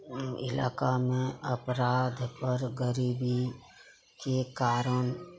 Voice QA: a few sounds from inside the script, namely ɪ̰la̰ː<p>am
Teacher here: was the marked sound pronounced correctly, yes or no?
no